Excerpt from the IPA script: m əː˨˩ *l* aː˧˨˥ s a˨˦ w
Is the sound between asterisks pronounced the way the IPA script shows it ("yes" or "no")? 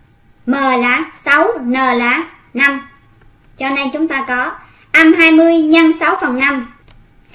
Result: yes